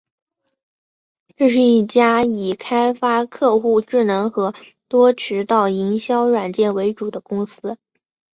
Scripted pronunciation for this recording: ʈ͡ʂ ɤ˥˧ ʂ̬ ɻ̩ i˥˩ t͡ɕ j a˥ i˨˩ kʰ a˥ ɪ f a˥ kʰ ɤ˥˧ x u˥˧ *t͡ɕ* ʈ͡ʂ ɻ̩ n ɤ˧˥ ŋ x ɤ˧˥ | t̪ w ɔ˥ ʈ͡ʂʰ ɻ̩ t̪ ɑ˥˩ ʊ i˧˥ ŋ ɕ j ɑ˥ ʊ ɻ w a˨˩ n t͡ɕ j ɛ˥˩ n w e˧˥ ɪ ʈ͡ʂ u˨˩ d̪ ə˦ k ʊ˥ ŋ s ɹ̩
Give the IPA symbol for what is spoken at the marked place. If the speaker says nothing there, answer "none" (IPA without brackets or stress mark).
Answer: none